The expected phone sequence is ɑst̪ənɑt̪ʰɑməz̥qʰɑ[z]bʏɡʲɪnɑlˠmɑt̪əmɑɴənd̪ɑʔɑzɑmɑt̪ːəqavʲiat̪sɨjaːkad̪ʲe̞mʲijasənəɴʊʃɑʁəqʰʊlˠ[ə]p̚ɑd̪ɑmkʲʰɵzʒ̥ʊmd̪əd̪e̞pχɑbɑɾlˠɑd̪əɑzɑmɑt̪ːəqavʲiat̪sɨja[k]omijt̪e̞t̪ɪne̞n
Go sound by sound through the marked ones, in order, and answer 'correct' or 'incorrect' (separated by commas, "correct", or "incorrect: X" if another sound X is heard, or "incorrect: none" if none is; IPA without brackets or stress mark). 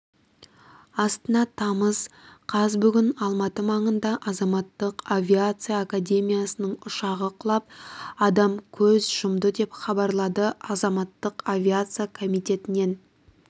correct, incorrect: ɑ, incorrect: kʰ